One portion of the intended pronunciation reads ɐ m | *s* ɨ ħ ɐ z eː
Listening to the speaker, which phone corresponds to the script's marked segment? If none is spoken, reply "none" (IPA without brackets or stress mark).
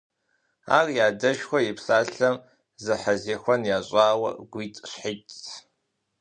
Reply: z